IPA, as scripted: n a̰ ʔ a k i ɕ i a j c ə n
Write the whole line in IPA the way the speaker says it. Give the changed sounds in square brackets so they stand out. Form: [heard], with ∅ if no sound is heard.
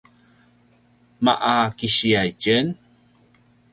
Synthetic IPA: [m] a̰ ʔ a k i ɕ i a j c ə n